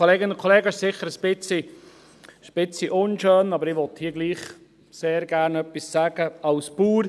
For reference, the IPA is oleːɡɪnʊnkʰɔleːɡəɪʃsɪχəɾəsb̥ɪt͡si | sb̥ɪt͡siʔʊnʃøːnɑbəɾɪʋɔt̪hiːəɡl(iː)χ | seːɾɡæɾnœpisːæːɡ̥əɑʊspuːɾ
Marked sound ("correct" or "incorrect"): correct